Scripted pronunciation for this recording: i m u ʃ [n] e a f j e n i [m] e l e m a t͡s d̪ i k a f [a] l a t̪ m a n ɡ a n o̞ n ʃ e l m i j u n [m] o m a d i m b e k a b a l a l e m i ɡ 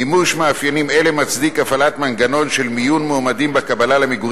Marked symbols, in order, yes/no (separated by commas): no, yes, yes, yes